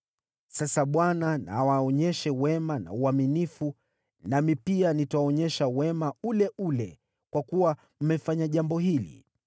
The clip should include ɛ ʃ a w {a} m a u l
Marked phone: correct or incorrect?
incorrect